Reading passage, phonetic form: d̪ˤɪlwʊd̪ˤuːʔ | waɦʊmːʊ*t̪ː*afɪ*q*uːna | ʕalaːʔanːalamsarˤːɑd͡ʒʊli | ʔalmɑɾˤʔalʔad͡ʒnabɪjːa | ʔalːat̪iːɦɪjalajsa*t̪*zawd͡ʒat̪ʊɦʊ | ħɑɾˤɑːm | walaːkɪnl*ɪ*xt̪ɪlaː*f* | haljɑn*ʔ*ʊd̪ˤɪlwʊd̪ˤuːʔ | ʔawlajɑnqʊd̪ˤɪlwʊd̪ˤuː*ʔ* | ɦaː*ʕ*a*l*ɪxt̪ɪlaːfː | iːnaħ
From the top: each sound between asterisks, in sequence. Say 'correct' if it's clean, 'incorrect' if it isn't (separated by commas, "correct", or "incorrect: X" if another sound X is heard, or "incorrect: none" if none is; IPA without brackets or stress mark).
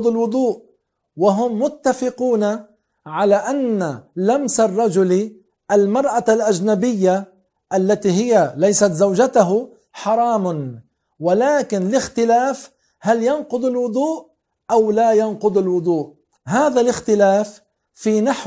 correct, correct, correct, correct, correct, incorrect: q, correct, incorrect: ð, correct